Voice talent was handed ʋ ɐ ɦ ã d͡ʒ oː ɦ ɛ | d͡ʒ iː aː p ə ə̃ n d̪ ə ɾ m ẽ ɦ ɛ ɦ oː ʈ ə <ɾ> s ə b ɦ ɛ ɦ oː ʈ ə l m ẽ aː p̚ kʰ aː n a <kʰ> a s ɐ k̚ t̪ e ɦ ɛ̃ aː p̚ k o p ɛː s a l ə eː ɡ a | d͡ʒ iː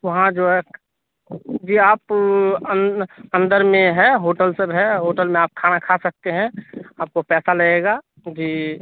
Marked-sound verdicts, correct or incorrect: incorrect: l, correct

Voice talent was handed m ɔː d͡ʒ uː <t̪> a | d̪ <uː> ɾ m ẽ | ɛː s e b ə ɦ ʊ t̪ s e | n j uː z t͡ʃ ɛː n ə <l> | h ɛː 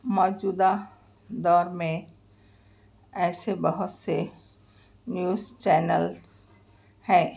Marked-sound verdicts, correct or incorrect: incorrect: d̪, incorrect: ɔː, correct

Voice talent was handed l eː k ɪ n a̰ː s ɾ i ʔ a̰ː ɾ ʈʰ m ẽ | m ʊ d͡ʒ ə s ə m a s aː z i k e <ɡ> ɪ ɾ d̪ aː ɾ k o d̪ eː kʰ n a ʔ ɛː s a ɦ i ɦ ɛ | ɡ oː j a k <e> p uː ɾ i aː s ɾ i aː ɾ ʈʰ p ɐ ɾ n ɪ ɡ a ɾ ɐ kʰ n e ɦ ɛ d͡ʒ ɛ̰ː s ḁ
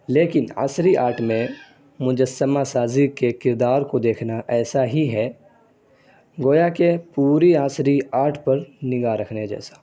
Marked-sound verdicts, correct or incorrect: incorrect: k, correct

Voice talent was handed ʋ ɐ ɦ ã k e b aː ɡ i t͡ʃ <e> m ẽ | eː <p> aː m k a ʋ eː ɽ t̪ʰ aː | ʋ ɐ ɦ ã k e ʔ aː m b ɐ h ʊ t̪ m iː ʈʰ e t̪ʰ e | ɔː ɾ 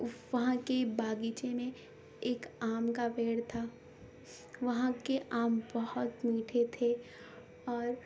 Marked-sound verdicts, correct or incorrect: correct, incorrect: k

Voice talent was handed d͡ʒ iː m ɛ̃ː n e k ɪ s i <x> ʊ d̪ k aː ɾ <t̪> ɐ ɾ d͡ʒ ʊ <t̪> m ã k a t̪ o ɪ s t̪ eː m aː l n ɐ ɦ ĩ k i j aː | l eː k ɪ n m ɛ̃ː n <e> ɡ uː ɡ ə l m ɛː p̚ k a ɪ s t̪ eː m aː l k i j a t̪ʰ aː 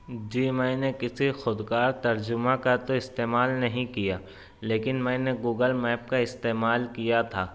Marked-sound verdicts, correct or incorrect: correct, correct, incorrect: none, correct

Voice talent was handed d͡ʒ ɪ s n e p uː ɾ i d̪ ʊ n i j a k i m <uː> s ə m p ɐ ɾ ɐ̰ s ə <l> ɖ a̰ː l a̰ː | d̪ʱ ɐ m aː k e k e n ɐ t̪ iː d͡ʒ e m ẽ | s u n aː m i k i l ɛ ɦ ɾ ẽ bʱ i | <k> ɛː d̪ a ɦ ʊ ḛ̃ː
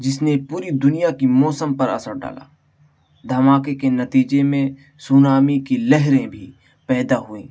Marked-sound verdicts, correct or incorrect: incorrect: ɔː, incorrect: ɾ, incorrect: p

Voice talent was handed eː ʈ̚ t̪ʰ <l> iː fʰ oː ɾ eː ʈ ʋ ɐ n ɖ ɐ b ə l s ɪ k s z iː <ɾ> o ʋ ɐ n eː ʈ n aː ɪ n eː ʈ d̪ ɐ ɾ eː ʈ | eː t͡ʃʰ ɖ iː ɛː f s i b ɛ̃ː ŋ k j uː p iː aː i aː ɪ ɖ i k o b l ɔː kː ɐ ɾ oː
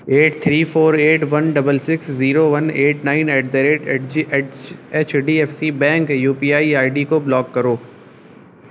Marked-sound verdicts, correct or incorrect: incorrect: ɾ, correct

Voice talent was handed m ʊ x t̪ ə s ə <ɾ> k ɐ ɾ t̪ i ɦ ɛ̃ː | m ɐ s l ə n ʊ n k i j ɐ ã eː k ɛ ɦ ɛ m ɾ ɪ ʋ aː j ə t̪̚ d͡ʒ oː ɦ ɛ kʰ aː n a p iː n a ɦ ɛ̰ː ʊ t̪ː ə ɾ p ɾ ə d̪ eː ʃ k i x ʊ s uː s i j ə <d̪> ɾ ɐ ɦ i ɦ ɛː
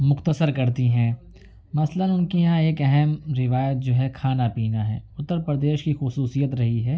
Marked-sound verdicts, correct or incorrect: correct, incorrect: t̪

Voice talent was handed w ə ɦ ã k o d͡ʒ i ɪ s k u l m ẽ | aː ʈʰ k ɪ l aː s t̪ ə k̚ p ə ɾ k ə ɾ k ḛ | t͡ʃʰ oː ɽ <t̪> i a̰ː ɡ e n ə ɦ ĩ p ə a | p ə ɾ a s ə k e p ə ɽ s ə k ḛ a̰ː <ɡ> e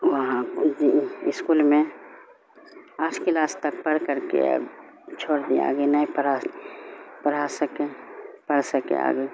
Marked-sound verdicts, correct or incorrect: incorrect: d̪, correct

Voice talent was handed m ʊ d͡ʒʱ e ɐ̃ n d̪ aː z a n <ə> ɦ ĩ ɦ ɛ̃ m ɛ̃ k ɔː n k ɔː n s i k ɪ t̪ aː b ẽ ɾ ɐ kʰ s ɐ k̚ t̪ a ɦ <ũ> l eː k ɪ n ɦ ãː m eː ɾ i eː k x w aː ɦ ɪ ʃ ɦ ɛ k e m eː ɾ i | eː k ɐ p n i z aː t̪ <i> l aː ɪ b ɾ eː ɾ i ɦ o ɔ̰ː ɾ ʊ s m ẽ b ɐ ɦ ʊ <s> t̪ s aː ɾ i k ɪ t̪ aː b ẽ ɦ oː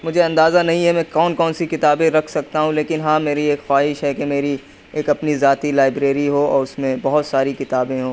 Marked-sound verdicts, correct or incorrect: incorrect: ɐ, correct, correct, incorrect: none

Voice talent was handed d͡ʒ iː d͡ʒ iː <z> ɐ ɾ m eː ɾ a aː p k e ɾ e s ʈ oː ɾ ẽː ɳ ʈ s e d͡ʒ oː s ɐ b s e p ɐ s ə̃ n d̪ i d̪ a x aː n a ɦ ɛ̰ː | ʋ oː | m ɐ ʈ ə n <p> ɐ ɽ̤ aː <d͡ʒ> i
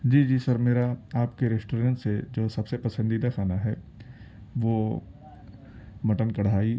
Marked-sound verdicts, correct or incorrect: incorrect: s, incorrect: k, incorrect: none

